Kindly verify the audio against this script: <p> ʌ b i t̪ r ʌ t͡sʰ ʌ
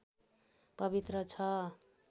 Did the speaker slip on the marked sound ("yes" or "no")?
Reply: no